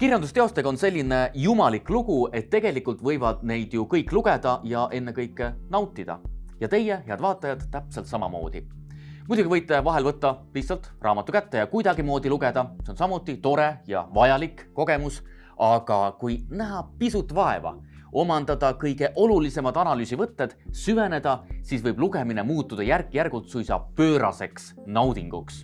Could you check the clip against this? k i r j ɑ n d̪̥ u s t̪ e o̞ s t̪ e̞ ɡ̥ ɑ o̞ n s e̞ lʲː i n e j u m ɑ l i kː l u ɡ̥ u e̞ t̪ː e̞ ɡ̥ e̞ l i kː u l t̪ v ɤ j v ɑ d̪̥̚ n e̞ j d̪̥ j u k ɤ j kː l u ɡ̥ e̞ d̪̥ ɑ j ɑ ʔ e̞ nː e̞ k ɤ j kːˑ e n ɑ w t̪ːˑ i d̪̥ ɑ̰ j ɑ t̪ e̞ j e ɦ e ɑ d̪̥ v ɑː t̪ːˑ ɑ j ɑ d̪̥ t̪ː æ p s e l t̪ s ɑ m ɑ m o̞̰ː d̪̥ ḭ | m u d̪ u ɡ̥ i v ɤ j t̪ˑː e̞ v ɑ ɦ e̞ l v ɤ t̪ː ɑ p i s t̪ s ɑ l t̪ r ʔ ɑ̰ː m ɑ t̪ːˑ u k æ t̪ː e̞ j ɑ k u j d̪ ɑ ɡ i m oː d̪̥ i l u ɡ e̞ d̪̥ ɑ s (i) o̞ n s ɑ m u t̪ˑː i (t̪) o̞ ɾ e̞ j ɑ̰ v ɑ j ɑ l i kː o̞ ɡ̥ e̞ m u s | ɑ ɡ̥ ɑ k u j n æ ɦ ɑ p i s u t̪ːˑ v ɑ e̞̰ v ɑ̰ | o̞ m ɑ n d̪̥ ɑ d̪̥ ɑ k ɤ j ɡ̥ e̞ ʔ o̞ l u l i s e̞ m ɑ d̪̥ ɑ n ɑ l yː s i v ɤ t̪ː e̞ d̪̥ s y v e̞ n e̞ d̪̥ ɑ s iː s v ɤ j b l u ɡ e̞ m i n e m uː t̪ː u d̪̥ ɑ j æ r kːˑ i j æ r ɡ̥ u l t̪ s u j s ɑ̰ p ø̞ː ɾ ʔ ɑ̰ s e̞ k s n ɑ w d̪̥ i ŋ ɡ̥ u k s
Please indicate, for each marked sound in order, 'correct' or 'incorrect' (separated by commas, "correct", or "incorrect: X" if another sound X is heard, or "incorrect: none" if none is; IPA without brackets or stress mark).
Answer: incorrect: e, correct